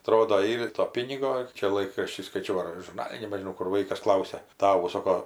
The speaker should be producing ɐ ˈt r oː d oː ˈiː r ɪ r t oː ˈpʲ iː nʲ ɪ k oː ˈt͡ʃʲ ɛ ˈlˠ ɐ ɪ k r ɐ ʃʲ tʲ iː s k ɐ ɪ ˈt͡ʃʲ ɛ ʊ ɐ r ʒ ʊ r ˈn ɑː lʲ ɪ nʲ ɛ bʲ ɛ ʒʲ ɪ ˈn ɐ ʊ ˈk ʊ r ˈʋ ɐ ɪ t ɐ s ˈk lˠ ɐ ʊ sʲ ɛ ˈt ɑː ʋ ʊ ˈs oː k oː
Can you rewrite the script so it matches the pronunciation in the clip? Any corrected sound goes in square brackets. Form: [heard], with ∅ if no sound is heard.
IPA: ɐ ˈt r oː d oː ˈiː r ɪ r t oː ˈpʲ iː nʲ ɪ [ɡ] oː ˈt͡ʃʲ ɛ ˈlˠ ɐ ɪ k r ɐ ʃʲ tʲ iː s k ɐ ɪ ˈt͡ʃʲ ɛ ʊ ɐ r ʒ ʊ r ˈn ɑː lʲ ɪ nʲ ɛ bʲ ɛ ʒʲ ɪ ˈn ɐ ʊ ˈk ʊ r ˈʋ ɐ ɪ [k] ɐ s ˈk lˠ ɐ ʊ sʲ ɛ ˈt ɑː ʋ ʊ ˈs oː k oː